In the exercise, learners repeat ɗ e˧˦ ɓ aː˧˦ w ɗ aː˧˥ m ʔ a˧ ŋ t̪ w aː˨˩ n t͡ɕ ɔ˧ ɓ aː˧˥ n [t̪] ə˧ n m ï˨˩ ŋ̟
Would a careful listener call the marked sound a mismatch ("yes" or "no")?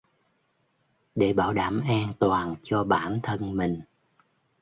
yes